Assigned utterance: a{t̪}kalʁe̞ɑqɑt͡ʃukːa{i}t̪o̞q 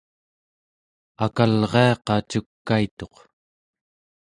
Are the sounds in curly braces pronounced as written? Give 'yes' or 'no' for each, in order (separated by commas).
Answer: no, yes